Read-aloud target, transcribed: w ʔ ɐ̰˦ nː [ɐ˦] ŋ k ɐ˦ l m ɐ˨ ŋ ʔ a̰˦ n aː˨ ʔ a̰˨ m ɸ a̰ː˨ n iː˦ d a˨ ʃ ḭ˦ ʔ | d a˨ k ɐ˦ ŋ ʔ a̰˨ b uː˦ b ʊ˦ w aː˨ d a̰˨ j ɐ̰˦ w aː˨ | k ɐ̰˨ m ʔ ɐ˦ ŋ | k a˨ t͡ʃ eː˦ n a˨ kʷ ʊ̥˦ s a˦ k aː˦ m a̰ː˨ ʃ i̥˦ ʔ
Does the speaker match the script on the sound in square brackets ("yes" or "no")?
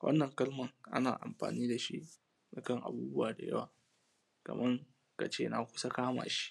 no